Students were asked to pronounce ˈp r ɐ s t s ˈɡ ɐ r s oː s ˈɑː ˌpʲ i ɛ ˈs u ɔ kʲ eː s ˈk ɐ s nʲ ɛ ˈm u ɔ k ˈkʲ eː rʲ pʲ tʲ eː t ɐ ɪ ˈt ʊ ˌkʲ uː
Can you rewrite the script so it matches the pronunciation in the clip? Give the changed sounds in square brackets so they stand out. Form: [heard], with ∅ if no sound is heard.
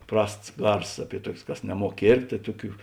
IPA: ˈp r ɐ s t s ˈɡ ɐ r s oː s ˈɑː ˌpʲ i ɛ [ˈt] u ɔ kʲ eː s ˈk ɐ s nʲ ɛ ˈm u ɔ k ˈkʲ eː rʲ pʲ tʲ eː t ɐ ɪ ˈt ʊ ˌkʲ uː